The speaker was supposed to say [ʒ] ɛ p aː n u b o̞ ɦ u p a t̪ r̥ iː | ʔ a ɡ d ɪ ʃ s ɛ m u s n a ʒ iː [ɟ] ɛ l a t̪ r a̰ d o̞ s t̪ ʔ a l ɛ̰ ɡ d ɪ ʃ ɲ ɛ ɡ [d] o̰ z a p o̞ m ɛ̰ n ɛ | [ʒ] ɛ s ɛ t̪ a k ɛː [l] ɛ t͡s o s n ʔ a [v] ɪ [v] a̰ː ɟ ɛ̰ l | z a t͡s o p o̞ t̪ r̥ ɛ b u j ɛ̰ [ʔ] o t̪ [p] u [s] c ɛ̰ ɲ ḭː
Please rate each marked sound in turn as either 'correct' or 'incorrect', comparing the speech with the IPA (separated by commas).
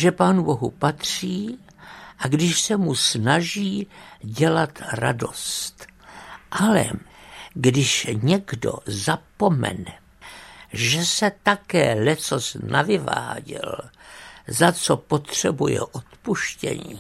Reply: correct, correct, correct, correct, correct, correct, correct, correct, correct, incorrect